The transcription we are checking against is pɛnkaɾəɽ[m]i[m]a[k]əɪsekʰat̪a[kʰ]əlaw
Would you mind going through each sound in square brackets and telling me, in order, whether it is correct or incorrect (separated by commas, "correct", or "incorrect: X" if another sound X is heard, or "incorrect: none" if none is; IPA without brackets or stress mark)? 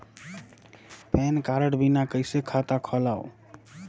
incorrect: b, incorrect: n, correct, correct